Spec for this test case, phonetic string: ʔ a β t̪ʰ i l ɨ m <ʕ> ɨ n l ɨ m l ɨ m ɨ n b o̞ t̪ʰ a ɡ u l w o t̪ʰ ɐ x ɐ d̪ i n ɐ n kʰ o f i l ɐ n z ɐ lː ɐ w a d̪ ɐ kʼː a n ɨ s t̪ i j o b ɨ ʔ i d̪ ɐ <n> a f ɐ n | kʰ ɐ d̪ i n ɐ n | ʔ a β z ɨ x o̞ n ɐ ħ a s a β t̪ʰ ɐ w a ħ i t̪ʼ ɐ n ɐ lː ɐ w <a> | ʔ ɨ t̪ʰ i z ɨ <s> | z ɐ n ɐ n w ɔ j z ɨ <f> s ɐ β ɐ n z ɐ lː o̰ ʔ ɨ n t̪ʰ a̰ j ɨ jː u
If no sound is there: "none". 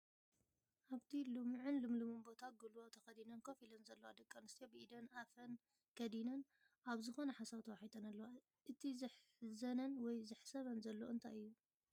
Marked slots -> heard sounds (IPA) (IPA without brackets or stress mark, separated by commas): ʕ, n, a, ħ, ħ